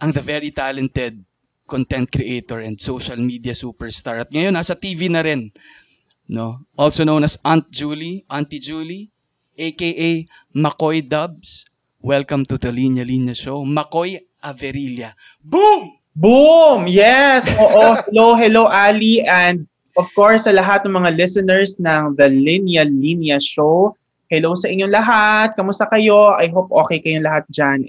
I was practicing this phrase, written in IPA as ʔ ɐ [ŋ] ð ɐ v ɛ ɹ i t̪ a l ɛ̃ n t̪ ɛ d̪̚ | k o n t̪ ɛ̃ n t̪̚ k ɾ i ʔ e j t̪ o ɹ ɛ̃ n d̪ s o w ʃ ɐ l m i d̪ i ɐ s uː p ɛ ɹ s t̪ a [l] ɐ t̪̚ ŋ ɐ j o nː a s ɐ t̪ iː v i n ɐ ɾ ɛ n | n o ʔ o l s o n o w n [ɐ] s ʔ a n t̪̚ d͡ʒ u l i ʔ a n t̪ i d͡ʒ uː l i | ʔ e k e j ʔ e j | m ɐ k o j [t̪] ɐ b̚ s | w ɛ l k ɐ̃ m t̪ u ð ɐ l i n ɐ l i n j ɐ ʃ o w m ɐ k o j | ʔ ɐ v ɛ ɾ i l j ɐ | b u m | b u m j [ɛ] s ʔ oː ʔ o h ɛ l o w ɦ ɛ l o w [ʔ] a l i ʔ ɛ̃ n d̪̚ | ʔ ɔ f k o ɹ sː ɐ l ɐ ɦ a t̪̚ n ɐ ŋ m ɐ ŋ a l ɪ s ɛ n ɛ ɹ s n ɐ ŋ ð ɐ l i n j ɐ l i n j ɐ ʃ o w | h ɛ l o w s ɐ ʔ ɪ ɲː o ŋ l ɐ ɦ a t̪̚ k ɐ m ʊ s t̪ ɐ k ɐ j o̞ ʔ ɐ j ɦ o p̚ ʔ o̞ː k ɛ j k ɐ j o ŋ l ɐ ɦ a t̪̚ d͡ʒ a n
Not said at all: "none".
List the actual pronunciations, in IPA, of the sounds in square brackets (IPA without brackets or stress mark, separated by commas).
ŋ, ɹ, ɐ, d̪, ɛ, ʔ